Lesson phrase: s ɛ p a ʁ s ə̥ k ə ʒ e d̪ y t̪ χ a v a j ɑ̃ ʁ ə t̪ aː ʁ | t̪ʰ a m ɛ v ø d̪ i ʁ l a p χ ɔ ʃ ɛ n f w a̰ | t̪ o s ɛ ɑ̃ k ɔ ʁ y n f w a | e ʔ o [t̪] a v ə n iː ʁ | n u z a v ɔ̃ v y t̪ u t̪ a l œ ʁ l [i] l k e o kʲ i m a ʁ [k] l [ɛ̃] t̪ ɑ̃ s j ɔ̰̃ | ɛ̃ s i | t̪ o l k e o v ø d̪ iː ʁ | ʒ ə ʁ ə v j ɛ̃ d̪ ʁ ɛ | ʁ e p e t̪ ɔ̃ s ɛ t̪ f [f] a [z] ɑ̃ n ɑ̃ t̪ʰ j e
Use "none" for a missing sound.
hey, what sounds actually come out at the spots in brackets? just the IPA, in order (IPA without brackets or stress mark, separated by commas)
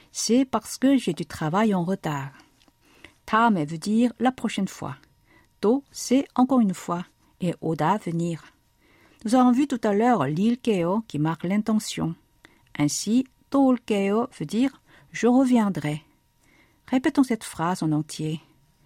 d̪, i, k, ɛ̃, χ, z